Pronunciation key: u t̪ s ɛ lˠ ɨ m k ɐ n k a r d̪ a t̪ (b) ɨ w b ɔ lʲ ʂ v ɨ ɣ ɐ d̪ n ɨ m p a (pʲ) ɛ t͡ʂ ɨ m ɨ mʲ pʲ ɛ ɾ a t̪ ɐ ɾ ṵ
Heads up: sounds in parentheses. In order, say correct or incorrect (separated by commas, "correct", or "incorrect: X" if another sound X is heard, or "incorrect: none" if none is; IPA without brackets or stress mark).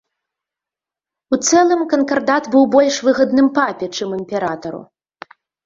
correct, correct